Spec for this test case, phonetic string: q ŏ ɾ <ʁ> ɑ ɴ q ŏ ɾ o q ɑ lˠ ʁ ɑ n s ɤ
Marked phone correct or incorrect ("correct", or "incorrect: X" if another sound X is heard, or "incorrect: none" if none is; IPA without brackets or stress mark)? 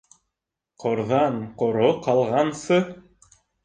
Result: incorrect: ð